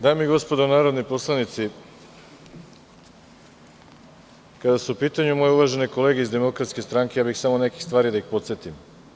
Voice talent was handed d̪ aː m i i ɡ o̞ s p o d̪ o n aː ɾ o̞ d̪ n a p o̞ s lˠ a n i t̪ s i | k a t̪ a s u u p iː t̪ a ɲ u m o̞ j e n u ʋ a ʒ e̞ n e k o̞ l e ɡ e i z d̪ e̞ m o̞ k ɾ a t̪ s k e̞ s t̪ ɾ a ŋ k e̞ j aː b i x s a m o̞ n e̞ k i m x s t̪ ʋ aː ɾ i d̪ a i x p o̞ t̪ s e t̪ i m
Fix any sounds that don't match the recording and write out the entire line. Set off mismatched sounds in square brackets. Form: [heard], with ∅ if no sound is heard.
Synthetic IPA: d̪ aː m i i ɡ o̞ s p o d̪ o n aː ɾ o̞ d̪ n [i] p o̞ s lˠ a n i t̪ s i | k a [d̪] a s u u p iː t̪ a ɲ u m o̞ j e [∅] u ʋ a ʒ e̞ n e k o̞ l e ɡ e i z d̪ e̞ m o̞ k ɾ a t̪ s k e̞ s t̪ ɾ a ŋ k e̞ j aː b i x s a m o̞ n e̞ k i [∅] x s t̪ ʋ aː ɾ i d̪ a i x p o̞ t̪ s e t̪ i m